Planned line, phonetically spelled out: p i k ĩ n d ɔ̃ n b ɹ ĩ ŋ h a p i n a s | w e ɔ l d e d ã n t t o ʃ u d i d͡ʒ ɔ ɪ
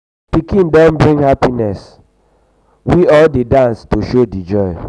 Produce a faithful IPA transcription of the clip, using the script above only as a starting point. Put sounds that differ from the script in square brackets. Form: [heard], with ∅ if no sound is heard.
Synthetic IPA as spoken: p i k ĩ n d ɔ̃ n b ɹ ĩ ŋ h a p i n [ɛ] s | w [i] ɔ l d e d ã n [s] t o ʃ [o] d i d͡ʒ ɔ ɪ